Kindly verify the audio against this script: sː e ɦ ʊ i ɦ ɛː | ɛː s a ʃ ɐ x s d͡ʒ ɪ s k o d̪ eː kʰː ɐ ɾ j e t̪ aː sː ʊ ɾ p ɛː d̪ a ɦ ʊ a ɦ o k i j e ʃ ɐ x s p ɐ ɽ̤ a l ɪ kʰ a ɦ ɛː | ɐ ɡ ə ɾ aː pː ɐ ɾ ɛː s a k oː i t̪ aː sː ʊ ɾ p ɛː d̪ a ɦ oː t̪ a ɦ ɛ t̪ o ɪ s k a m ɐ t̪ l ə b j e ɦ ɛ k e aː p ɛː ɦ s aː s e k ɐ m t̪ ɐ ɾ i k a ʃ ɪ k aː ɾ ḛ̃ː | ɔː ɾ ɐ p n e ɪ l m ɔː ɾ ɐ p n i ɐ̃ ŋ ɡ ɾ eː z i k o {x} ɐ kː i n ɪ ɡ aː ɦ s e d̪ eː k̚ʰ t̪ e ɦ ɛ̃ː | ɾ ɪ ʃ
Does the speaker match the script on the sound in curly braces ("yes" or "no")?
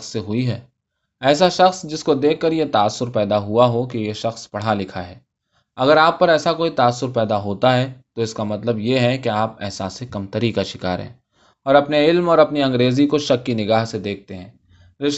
no